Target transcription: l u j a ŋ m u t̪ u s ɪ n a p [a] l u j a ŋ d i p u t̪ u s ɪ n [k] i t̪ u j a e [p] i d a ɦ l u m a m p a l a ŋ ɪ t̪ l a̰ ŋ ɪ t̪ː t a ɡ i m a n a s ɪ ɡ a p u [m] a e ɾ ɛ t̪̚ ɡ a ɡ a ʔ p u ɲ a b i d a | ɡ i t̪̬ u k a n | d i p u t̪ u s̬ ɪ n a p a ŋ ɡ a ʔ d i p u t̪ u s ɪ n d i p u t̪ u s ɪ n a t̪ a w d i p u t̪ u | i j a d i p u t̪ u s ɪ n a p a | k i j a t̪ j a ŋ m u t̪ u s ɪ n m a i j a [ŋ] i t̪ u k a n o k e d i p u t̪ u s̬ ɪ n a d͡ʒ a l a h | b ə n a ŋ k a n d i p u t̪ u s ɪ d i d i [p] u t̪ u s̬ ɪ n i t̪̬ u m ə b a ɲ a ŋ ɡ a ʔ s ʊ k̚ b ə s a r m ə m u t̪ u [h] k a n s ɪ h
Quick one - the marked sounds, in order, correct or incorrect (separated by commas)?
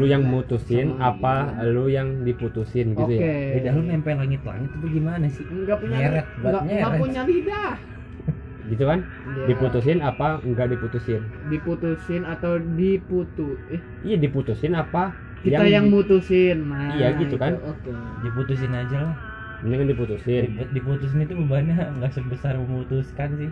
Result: correct, incorrect, incorrect, incorrect, incorrect, correct, incorrect